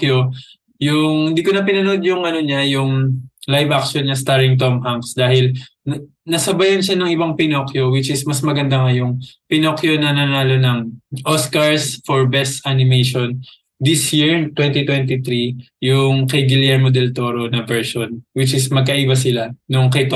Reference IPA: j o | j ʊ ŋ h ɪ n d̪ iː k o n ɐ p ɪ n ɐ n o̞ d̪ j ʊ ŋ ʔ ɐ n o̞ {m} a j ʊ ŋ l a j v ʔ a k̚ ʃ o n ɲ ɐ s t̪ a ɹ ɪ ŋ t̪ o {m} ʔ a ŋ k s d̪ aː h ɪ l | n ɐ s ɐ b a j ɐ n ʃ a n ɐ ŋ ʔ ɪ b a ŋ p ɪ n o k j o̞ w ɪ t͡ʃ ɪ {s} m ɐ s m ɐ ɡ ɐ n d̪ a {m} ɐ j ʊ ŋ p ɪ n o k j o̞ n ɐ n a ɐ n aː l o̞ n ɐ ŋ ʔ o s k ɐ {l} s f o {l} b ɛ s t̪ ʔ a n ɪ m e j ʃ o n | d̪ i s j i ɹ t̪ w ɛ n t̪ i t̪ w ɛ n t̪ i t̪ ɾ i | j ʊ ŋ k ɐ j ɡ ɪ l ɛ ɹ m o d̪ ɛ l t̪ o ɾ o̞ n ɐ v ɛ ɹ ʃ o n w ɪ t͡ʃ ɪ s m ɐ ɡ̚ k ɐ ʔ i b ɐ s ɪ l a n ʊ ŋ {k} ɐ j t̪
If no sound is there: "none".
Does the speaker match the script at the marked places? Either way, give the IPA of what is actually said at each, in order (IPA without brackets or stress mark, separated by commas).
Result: ɲ, m, s, ŋ, ɹ, ɹ, k